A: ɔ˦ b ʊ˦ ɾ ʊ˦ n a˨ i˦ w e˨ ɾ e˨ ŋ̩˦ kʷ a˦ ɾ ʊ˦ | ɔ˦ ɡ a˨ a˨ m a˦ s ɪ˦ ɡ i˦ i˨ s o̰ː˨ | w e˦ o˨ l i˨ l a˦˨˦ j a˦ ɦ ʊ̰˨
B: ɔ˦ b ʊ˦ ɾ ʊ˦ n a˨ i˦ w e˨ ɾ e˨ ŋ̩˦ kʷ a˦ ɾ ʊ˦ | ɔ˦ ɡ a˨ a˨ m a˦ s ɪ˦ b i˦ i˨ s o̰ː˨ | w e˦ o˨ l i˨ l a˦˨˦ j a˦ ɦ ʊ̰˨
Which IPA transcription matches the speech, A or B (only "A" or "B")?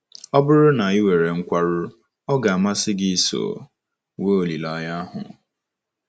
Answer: A